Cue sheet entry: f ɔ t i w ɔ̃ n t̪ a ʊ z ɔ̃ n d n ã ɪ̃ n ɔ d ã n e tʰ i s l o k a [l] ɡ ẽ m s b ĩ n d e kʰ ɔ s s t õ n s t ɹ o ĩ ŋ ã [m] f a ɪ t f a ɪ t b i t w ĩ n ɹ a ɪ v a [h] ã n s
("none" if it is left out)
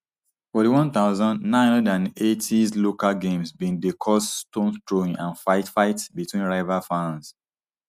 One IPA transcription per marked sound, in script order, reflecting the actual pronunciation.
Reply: l, n, f

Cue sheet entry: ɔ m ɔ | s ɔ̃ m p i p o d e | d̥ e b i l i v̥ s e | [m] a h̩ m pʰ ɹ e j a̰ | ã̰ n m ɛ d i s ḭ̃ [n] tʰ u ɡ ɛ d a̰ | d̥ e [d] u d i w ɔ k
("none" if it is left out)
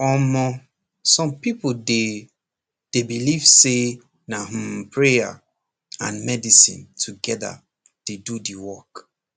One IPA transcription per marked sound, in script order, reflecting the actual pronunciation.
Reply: n, n, d

